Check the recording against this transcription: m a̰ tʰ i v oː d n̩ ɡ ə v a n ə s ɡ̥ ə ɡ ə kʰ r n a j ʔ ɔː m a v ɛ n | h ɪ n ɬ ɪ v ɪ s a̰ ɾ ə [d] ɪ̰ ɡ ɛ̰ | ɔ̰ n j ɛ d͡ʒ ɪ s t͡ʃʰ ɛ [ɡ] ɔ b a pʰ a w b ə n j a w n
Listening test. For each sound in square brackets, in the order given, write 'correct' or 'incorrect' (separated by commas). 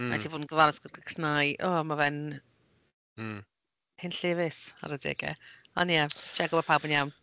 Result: correct, correct